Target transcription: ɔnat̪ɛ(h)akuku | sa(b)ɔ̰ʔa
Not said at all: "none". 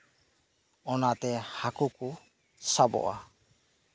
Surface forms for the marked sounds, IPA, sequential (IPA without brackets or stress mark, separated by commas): h, b